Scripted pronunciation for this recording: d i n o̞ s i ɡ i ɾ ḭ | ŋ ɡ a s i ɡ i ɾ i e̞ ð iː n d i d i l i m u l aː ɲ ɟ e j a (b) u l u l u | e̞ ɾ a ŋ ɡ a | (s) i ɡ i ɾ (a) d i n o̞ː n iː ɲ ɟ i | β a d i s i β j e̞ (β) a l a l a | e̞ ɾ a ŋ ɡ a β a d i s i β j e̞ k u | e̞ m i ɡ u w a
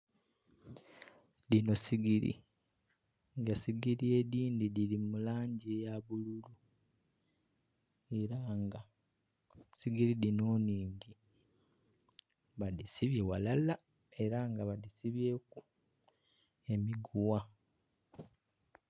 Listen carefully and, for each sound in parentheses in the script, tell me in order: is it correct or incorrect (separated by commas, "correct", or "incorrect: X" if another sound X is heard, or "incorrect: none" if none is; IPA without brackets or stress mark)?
incorrect: β, correct, incorrect: i, incorrect: w